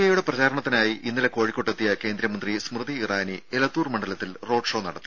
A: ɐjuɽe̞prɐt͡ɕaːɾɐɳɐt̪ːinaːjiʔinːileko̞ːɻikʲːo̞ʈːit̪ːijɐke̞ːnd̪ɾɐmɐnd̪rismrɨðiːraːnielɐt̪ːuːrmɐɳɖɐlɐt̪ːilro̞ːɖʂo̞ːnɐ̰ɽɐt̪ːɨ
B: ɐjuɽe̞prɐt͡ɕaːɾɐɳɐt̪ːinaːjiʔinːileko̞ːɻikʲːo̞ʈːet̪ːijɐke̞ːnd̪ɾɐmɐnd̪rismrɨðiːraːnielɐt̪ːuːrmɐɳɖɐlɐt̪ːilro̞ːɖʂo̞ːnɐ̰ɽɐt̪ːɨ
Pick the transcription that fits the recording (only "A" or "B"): B